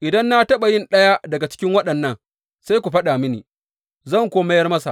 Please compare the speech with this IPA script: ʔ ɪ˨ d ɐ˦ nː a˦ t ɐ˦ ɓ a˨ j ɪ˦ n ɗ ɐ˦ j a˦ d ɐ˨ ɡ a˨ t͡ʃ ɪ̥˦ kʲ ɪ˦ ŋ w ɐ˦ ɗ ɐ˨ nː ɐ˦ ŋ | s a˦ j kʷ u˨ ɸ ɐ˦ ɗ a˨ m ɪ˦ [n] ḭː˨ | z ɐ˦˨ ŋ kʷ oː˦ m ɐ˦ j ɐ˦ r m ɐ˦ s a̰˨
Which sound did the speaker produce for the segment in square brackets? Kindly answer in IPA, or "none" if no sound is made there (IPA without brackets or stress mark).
n